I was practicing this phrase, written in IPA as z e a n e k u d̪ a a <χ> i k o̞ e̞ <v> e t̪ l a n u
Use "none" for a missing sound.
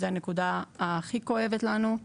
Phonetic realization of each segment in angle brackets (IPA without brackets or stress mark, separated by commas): χ, v